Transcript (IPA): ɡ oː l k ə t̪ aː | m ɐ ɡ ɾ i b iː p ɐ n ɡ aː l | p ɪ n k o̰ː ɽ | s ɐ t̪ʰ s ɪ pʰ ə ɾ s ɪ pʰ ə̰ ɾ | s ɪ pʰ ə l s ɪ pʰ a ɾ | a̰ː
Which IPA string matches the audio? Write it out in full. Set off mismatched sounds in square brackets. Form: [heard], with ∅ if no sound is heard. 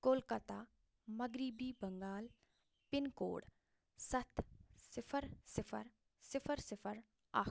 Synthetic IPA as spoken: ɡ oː l k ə t̪ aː | m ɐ ɡ ɾ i b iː [b] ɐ [ŋ] ɡ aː l | p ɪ n k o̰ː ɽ | s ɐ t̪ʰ s ɪ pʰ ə ɾ s ɪ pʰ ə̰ ɾ | s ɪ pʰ ə [ɾ] s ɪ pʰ [ə] ɾ | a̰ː